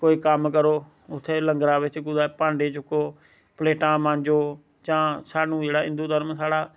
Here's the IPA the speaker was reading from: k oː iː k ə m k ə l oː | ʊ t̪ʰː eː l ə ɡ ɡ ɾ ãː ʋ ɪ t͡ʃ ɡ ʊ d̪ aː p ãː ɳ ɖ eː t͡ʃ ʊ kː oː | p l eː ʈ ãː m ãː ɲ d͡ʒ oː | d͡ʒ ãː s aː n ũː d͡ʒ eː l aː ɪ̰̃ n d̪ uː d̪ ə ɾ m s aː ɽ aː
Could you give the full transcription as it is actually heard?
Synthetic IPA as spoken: k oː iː k ə m k ə ɾ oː | ʊ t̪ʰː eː l ə ŋ ɡ ɾ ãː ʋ ɪ t͡ʃ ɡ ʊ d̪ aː p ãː ɳ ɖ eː t͡ʃ ʊ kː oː | p l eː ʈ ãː m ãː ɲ d͡ʒ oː | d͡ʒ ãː s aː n ũː d͡ʒ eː ɽ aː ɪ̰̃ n d̪ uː d̪ ə ɾ m s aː ɽ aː